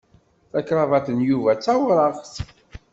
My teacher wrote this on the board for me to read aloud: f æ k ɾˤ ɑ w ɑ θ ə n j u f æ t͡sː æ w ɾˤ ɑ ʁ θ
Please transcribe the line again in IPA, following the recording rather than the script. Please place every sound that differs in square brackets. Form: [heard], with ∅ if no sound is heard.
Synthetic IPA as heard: [θ] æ k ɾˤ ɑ [v] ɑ θ ə n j u [v] æ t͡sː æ w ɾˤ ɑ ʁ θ